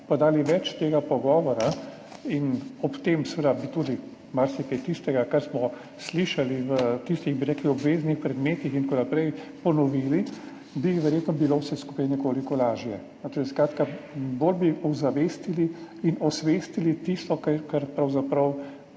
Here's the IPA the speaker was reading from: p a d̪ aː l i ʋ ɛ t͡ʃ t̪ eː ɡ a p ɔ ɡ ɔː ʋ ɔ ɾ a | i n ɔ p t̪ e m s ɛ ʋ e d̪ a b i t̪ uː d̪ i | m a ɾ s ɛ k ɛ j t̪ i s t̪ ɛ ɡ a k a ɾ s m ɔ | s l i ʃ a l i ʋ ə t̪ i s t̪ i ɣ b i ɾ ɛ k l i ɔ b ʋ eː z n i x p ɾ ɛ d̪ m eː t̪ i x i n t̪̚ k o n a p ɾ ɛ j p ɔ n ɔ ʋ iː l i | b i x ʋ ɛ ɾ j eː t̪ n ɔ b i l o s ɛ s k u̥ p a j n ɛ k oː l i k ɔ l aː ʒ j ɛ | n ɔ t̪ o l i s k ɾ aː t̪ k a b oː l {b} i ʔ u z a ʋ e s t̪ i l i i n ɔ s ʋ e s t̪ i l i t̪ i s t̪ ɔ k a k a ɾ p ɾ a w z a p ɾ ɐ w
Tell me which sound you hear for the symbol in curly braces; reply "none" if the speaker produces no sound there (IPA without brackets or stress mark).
b